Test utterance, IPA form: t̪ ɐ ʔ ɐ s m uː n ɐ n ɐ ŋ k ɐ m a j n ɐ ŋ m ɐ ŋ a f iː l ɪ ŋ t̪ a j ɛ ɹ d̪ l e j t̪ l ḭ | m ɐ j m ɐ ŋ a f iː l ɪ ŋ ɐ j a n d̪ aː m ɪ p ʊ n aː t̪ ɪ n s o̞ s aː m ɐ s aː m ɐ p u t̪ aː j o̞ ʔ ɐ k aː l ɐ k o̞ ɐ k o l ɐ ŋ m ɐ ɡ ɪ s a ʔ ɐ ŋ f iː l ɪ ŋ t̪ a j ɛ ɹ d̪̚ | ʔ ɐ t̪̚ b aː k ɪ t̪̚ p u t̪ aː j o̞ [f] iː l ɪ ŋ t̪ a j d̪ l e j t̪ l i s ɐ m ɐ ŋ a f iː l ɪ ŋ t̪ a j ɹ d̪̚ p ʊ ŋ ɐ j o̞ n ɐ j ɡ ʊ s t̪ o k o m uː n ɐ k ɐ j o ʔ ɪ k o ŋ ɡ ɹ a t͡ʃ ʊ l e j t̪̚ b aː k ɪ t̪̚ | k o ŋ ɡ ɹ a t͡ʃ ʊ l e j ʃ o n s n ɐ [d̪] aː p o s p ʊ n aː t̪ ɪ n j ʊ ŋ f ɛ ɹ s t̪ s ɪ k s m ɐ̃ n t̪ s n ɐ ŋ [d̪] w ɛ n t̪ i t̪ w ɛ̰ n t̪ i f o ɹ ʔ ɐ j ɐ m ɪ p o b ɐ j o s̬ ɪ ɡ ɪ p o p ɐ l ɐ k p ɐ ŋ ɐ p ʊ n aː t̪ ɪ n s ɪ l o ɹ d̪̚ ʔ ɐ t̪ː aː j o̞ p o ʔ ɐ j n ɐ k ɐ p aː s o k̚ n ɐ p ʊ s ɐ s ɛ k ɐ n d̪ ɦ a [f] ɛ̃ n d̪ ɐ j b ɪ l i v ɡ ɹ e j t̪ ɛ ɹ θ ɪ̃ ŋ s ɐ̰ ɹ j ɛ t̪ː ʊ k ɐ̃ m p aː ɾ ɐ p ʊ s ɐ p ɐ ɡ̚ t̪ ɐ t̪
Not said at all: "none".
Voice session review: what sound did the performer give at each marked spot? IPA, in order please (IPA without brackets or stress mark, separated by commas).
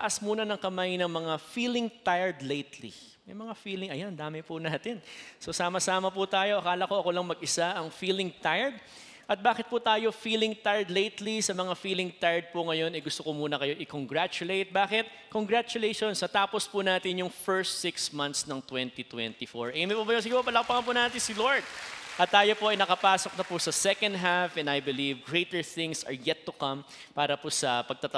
f, t̪, t̪, f